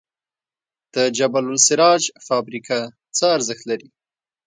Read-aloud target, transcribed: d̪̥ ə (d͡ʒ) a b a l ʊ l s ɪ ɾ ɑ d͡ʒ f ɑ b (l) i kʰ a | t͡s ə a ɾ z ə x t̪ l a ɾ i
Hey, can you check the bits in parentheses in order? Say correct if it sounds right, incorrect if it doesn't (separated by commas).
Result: correct, incorrect